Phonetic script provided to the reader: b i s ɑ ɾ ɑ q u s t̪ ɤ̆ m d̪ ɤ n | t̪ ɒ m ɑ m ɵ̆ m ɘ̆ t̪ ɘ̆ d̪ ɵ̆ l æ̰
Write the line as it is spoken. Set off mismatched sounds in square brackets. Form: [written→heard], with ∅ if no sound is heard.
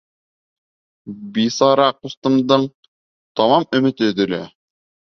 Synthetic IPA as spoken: b i s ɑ ɾ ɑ q u s t̪ ɤ̆ m d̪ ɤ [n→ɴ] | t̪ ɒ m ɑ m ɵ̆ m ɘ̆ t̪ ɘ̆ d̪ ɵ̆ l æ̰